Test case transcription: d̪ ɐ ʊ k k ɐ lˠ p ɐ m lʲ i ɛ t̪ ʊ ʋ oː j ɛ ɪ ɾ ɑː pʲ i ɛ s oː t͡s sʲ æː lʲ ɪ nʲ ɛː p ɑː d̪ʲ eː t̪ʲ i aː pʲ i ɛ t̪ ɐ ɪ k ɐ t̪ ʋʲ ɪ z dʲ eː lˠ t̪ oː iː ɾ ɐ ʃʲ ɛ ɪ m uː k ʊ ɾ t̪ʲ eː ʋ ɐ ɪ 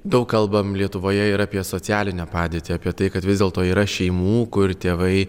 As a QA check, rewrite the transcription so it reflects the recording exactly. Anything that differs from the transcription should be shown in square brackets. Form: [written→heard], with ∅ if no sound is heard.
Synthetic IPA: d̪ ɐ ʊ k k ɐ lˠ [p→b] ɐ m lʲ i ɛ t̪ ʊ ʋ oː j ɛ ɪ ɾ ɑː pʲ i ɛ s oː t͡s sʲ æː lʲ ɪ nʲ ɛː p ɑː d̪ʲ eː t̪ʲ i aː pʲ i ɛ t̪ ɐ ɪ k ɐ t̪ ʋʲ ɪ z dʲ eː lˠ t̪ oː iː ɾ ɐ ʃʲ ɛ ɪ m uː k ʊ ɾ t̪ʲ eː ʋ ɐ ɪ